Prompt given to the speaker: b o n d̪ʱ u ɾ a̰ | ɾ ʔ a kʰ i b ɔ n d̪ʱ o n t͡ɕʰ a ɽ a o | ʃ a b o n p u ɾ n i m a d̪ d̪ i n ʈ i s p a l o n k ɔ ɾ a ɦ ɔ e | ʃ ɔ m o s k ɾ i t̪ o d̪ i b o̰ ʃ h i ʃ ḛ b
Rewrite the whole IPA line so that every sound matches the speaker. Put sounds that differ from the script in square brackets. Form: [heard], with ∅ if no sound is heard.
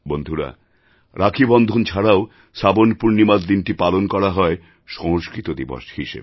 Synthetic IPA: b o n d̪ʱ u ɾ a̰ | ɾ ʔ a kʰ i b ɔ n d̪ʱ o n t͡ɕʰ a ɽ a o | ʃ a b o n p u ɾ n i m a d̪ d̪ i n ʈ i [∅] p a l o n k ɔ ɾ a ɦ ɔ e | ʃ ɔ [ŋ] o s k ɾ i t̪ o d̪ i b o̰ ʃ h i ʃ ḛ b